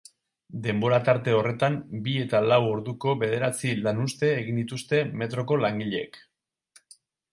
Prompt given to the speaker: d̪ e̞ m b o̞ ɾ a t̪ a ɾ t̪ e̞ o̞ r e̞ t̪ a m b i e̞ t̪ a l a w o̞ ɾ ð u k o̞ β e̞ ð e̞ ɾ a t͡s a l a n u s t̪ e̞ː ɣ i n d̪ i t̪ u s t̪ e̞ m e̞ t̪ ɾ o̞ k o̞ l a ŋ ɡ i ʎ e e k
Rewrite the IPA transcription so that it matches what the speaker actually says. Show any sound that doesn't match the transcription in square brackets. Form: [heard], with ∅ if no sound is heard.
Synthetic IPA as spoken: d̪ e̞ m b o̞ ɾ a t̪ a ɾ t̪ e̞ o̞ r e̞ t̪ a m b i e̞ t̪ a l a w o̞ ɾ ð u k o̞ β e̞ ð e̞ ɾ a t͡s [i] l a n u s t̪ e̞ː ɣ i n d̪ i t̪ u s t̪ e̞ m e̞ t̪ ɾ o̞ k o̞ l a ŋ ɡ i ʎ e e k